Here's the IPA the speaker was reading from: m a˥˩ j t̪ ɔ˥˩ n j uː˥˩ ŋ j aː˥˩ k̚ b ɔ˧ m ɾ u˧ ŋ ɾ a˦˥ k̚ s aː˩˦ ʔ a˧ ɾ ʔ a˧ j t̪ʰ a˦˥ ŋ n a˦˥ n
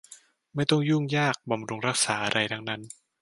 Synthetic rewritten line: m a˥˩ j t̪ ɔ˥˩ ŋ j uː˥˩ ŋ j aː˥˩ k̚ b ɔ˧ m ɾ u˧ ŋ ɾ a˦˥ k̚ s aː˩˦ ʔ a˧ ɾ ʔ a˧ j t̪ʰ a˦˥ ŋ n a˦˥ n